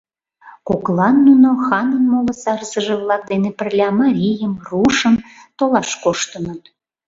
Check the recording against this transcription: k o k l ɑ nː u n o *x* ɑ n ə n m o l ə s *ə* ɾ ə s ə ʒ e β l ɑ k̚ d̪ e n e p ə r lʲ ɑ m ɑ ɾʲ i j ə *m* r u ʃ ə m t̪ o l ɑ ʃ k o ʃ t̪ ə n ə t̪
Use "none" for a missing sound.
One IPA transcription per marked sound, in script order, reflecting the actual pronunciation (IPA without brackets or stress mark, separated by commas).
x, ɑ, m